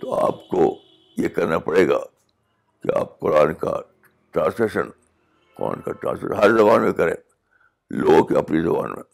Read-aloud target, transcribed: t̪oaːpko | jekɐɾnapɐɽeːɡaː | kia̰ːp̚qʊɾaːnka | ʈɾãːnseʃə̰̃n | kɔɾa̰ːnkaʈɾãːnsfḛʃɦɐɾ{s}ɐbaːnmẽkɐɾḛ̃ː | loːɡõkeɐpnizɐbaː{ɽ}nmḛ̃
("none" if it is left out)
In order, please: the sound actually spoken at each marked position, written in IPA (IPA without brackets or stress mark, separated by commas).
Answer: z, none